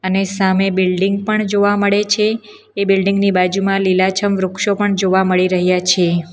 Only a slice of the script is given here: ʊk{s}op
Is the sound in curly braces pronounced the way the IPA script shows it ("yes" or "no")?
no